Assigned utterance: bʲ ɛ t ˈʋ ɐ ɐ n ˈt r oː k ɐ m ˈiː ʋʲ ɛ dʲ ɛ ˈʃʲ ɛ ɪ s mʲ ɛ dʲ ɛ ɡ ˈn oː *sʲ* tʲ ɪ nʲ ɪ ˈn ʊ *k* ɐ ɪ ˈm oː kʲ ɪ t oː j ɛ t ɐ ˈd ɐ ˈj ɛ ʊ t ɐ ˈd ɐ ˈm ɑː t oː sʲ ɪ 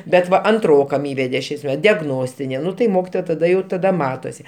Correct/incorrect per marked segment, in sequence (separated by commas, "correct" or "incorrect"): correct, incorrect